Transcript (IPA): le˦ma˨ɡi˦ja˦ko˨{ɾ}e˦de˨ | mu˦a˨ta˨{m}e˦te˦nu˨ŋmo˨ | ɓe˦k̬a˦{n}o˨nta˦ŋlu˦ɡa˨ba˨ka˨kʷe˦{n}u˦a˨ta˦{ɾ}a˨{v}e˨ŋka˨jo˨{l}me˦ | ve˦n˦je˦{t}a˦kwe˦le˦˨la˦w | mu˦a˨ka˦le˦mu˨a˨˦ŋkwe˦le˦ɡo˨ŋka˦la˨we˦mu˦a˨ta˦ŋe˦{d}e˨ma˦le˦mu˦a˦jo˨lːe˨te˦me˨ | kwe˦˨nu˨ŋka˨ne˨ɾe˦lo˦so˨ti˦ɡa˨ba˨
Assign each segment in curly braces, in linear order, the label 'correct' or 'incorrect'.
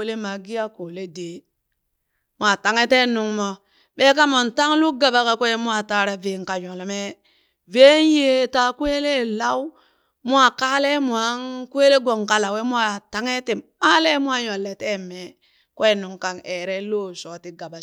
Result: incorrect: l, incorrect: ŋ, incorrect: m, incorrect: m, correct, correct, correct, correct, incorrect: t

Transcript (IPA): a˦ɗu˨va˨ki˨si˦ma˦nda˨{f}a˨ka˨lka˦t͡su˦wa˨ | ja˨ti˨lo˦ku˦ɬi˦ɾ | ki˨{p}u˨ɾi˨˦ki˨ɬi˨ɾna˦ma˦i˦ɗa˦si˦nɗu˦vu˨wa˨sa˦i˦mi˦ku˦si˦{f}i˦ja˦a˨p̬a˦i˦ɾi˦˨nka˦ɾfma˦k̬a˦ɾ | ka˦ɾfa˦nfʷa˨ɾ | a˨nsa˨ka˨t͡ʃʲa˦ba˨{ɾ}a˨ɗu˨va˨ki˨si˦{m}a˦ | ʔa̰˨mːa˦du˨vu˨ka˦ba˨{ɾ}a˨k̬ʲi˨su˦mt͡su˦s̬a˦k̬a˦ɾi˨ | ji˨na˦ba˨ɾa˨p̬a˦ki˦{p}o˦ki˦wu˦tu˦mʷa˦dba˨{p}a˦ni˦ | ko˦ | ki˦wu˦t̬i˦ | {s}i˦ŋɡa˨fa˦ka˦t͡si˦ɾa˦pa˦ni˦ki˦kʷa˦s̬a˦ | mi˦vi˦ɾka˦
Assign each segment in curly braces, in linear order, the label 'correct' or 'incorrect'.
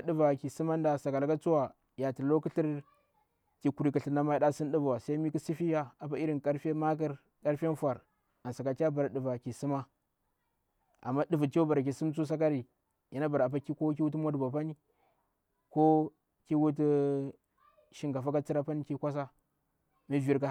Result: incorrect: s, incorrect: k, correct, correct, correct, correct, incorrect: k, correct, incorrect: ʃ

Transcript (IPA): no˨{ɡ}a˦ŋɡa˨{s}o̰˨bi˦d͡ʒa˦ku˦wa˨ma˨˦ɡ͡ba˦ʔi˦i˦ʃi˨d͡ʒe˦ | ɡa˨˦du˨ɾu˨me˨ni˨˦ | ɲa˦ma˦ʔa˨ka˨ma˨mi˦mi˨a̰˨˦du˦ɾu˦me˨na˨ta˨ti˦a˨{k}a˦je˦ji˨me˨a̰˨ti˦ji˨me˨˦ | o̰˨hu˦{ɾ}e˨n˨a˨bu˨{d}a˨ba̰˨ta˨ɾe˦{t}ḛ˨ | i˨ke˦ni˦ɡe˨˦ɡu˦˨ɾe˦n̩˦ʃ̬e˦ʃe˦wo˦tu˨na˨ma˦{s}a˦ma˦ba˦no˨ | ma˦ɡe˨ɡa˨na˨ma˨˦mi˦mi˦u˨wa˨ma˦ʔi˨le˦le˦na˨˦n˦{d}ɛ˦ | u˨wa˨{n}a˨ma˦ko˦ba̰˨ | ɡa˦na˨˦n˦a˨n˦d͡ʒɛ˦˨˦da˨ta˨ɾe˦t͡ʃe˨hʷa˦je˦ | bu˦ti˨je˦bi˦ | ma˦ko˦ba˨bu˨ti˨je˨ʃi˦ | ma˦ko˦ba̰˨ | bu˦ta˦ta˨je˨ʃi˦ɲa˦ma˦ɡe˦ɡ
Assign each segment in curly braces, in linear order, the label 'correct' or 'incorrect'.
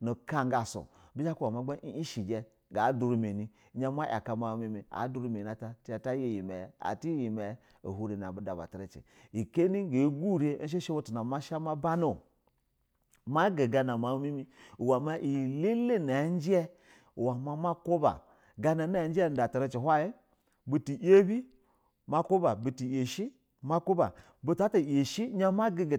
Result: incorrect: k, correct, incorrect: t, correct, correct, incorrect: t͡ʃ, incorrect: ʃ, incorrect: d͡ʒ, incorrect: m

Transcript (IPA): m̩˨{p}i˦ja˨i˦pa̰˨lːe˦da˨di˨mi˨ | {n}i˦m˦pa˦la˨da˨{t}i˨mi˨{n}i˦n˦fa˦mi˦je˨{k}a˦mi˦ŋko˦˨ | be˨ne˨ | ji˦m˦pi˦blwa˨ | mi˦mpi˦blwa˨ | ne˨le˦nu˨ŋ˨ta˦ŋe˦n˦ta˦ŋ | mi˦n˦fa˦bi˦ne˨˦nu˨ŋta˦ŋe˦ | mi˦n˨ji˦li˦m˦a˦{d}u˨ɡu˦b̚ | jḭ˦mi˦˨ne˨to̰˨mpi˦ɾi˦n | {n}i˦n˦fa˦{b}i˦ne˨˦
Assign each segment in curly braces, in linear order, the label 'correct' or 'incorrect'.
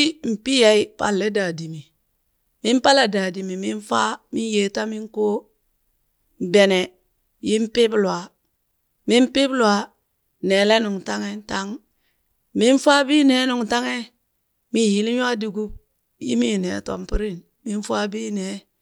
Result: correct, incorrect: m, incorrect: d, incorrect: m, incorrect: t, correct, incorrect: m, correct

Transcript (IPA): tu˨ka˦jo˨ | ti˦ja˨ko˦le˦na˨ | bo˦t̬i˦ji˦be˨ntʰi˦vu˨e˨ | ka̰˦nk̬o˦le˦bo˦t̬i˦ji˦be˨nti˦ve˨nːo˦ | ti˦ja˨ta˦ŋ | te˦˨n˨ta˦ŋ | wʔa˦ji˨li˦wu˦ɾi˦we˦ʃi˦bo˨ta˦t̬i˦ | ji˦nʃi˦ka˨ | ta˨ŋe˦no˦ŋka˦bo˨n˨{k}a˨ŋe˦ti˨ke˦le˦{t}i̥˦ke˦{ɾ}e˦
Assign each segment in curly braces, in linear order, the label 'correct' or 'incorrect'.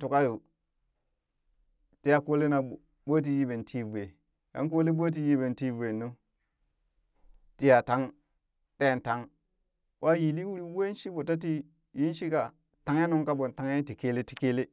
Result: incorrect: t, correct, incorrect: l

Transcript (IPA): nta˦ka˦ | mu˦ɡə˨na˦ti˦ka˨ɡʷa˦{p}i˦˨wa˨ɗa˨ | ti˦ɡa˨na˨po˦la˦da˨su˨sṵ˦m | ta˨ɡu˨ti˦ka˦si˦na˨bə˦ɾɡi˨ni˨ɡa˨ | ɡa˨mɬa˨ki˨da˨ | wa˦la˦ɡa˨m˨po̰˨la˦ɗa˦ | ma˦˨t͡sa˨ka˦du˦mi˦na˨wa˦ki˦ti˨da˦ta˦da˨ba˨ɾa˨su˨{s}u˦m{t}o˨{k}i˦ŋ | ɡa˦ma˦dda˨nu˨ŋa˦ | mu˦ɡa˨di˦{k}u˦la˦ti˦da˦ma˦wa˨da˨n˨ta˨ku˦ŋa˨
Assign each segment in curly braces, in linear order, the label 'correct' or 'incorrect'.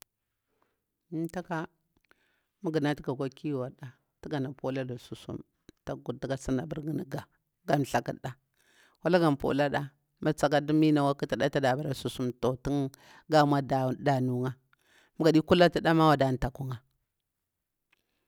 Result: incorrect: k, correct, correct, incorrect: t, correct

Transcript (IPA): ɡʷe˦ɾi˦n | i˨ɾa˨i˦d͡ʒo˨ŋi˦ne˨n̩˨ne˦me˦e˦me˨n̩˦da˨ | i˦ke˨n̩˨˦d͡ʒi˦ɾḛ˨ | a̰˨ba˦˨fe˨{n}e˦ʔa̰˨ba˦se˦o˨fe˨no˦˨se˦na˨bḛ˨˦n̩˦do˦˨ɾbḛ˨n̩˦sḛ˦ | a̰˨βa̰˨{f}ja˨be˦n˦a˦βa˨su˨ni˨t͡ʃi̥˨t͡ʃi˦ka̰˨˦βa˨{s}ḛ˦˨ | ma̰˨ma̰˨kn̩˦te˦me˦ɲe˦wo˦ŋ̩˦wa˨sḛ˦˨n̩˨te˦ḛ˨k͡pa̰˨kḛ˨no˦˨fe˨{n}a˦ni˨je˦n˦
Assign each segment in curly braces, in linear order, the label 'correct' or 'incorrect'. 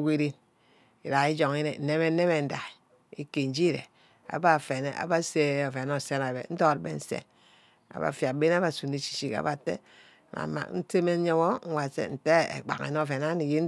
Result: correct, correct, incorrect: t, correct

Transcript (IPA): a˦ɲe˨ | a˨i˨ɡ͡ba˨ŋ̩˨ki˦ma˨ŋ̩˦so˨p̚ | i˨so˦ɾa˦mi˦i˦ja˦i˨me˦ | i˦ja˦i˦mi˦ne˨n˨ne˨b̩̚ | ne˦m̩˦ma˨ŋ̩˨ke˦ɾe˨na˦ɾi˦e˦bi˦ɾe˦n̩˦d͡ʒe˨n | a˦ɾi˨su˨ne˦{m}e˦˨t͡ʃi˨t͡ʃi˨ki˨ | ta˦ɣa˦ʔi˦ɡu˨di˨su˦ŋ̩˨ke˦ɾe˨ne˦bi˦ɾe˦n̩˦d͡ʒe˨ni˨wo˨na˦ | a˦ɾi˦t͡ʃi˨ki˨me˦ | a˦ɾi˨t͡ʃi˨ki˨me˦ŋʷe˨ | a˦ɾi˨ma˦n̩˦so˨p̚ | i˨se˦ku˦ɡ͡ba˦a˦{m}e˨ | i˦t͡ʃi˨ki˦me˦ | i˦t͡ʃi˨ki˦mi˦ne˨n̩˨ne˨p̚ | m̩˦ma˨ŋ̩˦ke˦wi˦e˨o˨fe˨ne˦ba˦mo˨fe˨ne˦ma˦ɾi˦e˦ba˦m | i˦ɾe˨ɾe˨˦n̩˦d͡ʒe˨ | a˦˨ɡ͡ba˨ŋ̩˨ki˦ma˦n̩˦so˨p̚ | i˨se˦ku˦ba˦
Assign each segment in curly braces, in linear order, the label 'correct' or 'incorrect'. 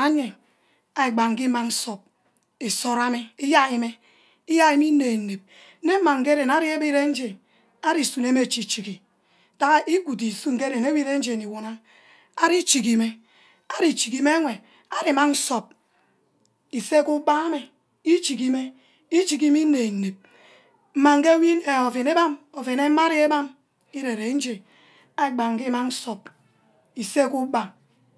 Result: correct, correct

